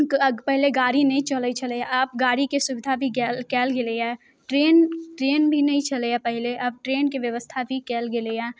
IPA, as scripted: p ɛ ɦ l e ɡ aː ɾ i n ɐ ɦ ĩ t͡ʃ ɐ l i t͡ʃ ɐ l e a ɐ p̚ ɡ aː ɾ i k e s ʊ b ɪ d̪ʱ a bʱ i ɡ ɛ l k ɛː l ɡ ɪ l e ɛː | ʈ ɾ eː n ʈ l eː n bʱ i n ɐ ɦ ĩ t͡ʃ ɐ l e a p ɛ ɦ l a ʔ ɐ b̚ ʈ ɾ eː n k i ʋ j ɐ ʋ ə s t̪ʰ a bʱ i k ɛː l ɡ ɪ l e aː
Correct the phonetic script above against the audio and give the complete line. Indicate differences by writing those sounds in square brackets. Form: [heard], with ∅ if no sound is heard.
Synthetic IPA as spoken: p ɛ ɦ l e ɡ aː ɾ i n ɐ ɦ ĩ t͡ʃ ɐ l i t͡ʃ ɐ l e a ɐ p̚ ɡ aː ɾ i k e s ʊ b ɪ d̪ʱ a bʱ i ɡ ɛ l k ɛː l ɡ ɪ l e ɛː | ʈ ɾ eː n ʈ [ɾ] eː n bʱ i n ɐ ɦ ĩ t͡ʃ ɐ l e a p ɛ ɦ l [e] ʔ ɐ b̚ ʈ ɾ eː n k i ʋ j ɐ ʋ ə s t̪ʰ a bʱ i k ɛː l ɡ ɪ l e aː